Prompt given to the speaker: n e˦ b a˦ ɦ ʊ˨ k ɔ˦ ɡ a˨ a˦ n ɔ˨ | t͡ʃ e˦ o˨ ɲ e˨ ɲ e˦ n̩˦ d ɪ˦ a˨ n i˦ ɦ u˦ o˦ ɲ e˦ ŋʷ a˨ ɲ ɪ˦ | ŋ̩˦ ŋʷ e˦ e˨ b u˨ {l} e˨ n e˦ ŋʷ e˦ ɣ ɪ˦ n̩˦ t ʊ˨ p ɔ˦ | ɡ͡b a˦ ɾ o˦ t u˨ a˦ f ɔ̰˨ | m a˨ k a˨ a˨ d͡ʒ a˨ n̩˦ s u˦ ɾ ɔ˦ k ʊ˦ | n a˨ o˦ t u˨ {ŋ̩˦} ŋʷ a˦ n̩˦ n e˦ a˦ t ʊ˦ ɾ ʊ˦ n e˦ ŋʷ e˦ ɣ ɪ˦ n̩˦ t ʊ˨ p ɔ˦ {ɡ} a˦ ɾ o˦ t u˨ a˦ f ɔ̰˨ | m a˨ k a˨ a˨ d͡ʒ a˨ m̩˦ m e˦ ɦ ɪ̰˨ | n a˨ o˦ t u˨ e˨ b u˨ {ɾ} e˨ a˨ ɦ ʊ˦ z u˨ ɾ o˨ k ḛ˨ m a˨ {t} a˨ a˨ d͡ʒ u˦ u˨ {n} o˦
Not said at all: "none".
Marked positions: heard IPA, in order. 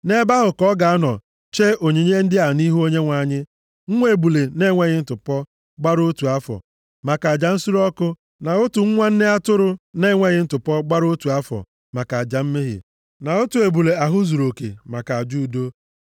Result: l, ŋ̩˦, ɡ͡b, l, k, d

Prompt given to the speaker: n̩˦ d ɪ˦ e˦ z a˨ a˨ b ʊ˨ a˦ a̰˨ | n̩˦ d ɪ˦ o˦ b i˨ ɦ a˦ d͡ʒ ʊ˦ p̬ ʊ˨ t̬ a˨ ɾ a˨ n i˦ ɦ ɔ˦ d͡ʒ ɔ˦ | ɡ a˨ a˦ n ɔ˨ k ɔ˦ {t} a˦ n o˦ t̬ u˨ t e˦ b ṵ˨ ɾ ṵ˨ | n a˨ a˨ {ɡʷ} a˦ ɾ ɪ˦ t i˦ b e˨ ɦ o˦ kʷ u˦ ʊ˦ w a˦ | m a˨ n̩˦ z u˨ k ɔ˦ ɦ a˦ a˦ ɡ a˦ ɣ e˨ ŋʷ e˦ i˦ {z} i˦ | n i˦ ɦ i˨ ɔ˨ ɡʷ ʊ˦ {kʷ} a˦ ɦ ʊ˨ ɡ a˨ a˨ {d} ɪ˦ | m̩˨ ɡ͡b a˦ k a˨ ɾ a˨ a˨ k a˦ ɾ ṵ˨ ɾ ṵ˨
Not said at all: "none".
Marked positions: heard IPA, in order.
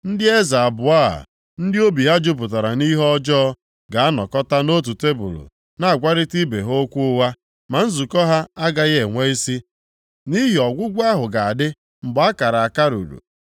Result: t, ɡʷ, s, ɡʷ, d

